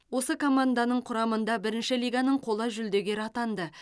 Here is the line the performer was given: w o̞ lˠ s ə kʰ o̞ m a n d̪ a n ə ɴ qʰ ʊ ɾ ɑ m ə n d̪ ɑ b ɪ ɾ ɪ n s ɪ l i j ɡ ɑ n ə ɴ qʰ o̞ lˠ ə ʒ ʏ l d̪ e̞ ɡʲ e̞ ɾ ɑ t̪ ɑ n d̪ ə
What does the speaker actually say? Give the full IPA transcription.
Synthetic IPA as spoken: w o̞ s ə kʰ o̞ m a n d̪ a n ə ɴ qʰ ʊ ɾ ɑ m ə n d̪ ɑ b ɪ ɾ ɪ n ʃ ɪ l i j ɡ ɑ n ə ɴ qʰ o̞ lˠ ə ʒ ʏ l d̪ e̞ ɡʲ e̞ ɾ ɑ t̪ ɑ n d̪ ə

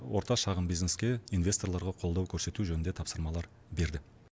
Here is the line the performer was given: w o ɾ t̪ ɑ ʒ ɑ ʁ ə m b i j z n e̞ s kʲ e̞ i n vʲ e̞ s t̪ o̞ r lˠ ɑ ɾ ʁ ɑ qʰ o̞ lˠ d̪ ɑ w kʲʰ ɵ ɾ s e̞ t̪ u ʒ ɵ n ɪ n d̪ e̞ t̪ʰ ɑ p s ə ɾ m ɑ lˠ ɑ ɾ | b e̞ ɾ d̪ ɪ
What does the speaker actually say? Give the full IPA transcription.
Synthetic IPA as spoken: w o ɾ t̪ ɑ ʃ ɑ ʁ ə m b i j z n e̞ s kʲ e̞ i n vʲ e̞ s t̪ o̞ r lˠ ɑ ɾ ʁ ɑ qʰ o̞ lˠ d̪ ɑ w kʲʰ ɵ ɾ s e̞ t̪ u ʒ ɵ n ɪ n d̪ e̞ t̪ʰ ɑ p s ə ɾ m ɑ lˠ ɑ ɾ | b e̞ ɾ d̪ ɪ

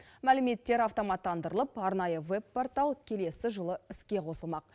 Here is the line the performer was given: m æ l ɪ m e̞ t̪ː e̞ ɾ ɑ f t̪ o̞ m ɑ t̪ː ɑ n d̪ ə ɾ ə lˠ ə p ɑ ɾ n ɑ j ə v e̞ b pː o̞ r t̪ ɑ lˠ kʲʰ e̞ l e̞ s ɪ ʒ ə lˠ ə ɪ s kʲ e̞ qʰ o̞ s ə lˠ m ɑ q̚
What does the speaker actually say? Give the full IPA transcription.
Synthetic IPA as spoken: m æ l ɪ m e̞ t̪ː e̞ ɾ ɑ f t̪ o̞ m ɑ t̪ː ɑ n d̪ ə ɾ ə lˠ ə p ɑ ɾ n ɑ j ə v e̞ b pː o̞ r t̪ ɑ lˠ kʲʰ e̞ l e̞ s ɪ ʒ ə lˠ ə ɪ s kʲ e̞ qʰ o̞ s ə lˠ m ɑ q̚

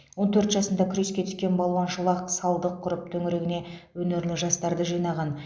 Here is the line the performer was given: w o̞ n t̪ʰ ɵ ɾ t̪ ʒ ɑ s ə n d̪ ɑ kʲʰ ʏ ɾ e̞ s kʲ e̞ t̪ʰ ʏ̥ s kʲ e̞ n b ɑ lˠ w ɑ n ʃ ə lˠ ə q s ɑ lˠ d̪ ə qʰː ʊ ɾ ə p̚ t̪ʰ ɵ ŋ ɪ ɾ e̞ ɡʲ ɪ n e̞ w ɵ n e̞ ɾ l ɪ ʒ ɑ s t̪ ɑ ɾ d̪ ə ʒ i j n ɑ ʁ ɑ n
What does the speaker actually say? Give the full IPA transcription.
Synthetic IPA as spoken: w o̞ n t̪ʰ ɵ ɾ t̪ ʒ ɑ s ə n d̪ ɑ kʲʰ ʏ ɾ e̞ s kʲ e̞ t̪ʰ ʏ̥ s kʲ e̞ n b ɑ lˠ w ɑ n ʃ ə lˠ ɑ q s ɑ lˠ d̪ ə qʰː ʊ ɾ ə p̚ t̪ʰ ɵ ŋ ɪ ɾ e̞ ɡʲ ɪ n e̞ w ɵ n e̞ ɾ l ɪ ʒ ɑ s t̪ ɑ ɾ d̪ ə ʒ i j n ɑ ʁ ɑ n

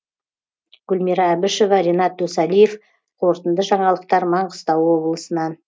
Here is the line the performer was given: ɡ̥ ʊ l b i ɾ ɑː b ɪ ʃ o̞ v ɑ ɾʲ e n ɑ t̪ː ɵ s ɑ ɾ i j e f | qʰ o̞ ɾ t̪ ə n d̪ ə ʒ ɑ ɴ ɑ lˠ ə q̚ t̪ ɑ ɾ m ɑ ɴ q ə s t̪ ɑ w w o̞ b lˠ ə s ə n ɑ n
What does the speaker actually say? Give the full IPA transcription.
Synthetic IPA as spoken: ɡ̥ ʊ l m i ɾ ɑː b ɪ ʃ o̞ v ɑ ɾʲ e n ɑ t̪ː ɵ s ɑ l i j e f | qʰ o̞ ɾ t̪ ə n d̪ ə ʒ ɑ ɴ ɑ lˠ ə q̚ t̪ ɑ ɾ m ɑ ɴ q ə s t̪ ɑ w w o̞ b lˠ ə s ə n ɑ n

